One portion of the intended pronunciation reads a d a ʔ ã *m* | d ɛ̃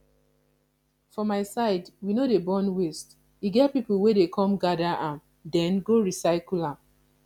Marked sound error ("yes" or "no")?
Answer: no